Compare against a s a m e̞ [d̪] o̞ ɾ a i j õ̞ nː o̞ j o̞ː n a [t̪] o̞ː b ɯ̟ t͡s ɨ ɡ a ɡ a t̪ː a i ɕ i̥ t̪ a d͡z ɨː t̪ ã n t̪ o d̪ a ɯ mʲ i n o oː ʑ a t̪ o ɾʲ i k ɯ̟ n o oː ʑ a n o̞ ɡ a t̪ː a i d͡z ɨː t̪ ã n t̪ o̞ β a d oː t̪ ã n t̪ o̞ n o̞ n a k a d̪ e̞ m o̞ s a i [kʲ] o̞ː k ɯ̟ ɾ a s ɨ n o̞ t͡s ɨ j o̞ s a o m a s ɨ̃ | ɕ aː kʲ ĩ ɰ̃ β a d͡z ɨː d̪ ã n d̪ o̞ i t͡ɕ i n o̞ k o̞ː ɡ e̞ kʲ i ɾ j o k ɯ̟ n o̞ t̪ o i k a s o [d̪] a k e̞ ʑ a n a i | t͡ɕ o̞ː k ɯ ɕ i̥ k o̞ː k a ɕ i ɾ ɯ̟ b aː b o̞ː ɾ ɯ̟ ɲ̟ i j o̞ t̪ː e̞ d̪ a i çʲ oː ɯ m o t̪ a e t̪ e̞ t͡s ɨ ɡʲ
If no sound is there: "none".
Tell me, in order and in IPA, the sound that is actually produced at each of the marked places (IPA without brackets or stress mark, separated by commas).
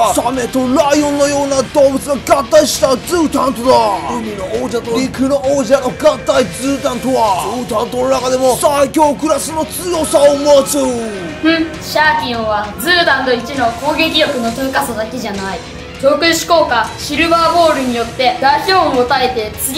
t̪, d̪, kʲ, d̪